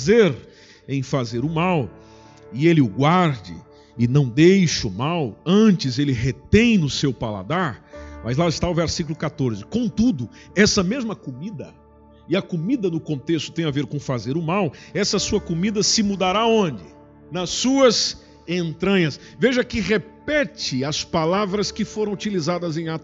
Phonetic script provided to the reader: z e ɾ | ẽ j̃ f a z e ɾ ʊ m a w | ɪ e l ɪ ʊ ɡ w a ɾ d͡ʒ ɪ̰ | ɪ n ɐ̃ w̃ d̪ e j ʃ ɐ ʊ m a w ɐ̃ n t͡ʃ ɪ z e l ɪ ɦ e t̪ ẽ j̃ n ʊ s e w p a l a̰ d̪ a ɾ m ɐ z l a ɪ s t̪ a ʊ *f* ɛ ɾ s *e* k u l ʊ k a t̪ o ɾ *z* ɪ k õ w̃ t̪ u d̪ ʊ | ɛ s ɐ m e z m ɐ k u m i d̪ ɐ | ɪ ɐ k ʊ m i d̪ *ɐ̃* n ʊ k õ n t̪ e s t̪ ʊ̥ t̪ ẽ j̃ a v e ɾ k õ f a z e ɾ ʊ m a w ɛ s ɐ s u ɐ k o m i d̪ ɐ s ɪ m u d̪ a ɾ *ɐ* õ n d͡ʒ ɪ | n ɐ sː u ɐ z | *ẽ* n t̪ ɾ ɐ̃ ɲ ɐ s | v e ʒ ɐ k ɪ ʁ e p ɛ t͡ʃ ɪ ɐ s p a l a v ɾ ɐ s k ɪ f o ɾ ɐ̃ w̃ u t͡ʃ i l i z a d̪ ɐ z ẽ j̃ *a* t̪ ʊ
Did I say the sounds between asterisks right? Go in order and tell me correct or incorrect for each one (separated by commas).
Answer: incorrect, incorrect, correct, incorrect, incorrect, correct, correct